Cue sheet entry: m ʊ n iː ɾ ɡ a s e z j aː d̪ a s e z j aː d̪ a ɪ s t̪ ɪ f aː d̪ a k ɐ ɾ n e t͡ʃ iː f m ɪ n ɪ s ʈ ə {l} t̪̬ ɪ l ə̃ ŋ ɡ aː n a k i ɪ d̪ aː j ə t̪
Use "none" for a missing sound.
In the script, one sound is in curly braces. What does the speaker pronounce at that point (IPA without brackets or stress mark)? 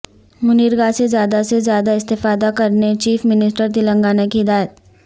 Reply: ɾ